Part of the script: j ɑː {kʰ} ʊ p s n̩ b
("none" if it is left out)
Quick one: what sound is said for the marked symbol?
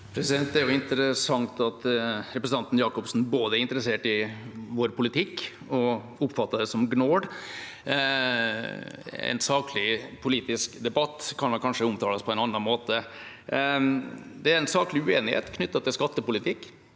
k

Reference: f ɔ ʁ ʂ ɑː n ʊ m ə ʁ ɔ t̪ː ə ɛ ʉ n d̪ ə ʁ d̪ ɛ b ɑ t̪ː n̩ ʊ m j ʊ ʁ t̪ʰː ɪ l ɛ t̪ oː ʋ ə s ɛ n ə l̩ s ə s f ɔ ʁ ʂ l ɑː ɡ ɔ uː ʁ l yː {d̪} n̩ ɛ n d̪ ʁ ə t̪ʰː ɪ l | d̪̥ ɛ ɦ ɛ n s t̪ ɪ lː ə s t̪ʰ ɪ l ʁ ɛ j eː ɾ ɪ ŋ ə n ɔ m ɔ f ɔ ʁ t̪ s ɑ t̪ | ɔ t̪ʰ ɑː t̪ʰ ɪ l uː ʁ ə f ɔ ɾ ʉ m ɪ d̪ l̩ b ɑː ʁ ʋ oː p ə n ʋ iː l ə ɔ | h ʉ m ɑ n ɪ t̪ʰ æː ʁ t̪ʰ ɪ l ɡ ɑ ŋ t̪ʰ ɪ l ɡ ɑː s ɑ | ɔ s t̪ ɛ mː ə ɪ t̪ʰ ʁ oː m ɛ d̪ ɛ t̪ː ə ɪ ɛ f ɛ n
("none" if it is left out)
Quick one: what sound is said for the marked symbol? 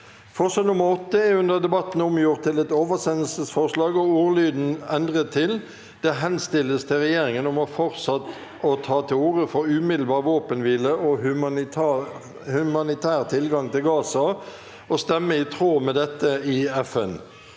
d̪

